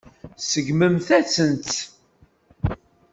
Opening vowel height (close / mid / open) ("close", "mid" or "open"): mid